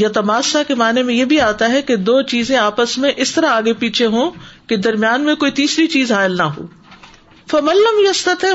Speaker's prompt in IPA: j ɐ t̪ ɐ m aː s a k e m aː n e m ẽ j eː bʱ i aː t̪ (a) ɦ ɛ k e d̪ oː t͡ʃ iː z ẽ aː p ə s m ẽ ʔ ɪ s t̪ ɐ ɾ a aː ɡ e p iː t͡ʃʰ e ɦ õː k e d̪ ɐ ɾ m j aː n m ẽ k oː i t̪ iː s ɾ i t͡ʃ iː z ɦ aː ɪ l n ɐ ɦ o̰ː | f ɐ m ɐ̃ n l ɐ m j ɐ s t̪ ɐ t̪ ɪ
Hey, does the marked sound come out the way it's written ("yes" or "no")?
yes